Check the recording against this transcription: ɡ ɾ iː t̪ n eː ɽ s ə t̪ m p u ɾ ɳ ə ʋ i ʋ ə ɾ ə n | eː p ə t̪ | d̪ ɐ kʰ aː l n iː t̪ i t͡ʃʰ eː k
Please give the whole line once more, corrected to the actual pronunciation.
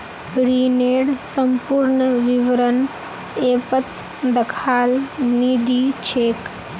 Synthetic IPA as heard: ɡ ɾ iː n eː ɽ s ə m p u ɾ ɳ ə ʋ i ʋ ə ɾ ə n | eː p ə t̪ | d̪ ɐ kʰ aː l n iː d̪ i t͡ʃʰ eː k